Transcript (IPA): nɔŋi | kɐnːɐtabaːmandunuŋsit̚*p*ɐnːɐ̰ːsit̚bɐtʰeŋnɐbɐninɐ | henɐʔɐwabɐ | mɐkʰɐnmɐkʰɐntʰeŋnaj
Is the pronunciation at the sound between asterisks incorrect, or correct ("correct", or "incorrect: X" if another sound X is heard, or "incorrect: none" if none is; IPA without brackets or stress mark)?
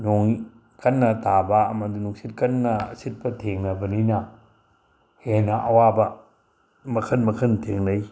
incorrect: k